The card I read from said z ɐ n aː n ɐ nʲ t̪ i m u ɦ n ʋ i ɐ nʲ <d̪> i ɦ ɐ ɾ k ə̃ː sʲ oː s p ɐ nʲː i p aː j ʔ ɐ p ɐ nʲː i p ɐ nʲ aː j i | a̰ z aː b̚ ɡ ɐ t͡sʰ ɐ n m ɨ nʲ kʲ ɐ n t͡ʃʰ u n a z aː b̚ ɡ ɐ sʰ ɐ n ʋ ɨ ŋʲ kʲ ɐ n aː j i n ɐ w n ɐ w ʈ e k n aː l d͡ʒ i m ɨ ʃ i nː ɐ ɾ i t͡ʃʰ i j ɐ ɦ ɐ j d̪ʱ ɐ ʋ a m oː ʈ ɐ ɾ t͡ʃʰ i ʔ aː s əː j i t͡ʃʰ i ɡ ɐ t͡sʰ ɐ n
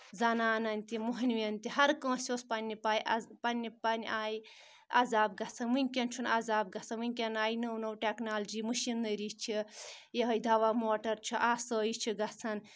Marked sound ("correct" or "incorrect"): incorrect